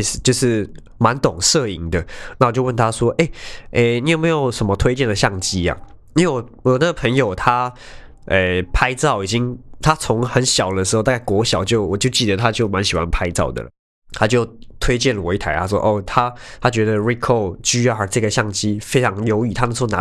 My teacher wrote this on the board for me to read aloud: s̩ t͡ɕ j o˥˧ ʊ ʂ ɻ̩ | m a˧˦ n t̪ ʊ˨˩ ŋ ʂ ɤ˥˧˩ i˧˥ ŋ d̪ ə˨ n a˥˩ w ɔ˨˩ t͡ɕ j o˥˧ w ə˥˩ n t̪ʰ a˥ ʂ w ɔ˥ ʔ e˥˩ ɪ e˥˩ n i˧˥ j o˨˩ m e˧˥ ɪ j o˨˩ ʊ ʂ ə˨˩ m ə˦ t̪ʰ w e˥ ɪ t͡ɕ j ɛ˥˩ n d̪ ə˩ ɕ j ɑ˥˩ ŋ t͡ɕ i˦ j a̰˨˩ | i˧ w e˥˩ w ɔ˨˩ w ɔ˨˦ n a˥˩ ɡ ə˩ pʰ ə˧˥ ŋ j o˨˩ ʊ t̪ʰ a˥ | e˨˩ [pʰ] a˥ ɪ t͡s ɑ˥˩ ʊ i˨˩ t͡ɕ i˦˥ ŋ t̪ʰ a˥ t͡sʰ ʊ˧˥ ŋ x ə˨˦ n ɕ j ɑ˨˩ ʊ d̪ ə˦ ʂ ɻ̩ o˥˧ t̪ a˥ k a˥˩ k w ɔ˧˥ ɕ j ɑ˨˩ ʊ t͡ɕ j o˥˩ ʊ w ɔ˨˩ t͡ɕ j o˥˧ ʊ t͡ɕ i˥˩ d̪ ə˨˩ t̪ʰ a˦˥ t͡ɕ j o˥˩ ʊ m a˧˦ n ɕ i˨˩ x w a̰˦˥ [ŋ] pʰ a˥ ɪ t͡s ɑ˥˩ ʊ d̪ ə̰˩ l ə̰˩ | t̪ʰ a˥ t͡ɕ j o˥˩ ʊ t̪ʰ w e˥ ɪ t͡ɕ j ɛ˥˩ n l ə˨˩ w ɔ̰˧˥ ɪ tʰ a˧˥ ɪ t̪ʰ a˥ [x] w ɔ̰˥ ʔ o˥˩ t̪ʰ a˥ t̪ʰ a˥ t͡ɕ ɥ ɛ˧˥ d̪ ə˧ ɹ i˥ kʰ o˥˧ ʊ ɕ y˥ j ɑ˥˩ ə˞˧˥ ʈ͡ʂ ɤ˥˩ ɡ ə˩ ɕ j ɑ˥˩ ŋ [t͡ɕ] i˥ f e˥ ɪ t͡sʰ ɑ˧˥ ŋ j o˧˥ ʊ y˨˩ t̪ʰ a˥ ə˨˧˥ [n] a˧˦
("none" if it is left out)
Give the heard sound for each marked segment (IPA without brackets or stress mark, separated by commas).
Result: pʰ, n, ʂ, t͡ɕ, n